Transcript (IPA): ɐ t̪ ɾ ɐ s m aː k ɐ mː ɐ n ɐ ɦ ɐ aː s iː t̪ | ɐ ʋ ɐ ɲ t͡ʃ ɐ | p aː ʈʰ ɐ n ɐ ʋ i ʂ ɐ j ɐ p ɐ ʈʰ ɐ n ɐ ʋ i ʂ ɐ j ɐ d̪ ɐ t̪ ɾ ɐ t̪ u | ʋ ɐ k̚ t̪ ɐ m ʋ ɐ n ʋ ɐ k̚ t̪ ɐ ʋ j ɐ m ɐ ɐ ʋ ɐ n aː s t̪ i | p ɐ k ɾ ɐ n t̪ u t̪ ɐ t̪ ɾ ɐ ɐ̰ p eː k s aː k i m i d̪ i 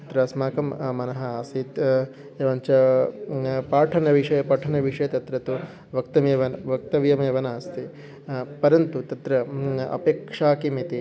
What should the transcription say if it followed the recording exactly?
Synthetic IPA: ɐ t̪ ɾ ɐ s m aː k ɐ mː ɐ n ɐ ɦ ɐ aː s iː t̪ | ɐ ʋ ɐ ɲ t͡ʃ ɐ | p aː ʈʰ ɐ n ɐ ʋ i ʂ ɐ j ɐ p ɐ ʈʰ ɐ n ɐ ʋ i ʂ ɐ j ɐ t̪ ɐ t̪ ɾ ɐ t̪ u | ʋ ɐ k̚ t̪ ɐ m ʋ ɐ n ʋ ɐ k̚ t̪ ɐ ʋ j ɐ m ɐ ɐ ʋ ɐ n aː s t̪ i | p ɐ ɾ ɐ n t̪ u t̪ ɐ t̪ ɾ ɐ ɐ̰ p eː k ʂ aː k i m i t̪ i